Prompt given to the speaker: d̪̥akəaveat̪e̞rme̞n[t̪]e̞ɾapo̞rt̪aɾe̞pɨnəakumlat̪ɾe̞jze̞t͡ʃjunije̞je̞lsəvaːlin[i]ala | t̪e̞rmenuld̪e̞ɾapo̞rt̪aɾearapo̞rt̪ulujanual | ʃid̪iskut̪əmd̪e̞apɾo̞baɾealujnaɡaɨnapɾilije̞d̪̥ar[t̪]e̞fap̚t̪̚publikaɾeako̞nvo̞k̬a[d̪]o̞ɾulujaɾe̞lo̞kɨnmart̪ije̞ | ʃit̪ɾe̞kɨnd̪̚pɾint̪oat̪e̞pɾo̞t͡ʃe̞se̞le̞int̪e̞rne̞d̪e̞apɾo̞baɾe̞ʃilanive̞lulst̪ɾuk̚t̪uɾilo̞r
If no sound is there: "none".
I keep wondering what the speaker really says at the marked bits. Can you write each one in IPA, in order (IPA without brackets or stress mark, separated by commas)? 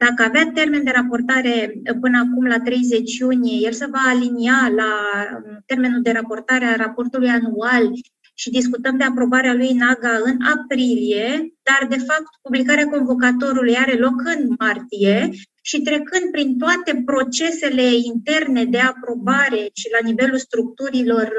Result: d̪, i, d̪, t̪